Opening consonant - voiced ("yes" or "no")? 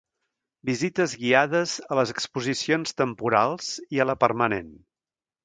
yes